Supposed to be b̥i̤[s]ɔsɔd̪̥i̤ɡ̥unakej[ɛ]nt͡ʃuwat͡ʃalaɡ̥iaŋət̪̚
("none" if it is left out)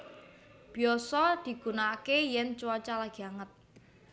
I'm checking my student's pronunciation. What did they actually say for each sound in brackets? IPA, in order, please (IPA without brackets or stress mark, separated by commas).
none, ɛ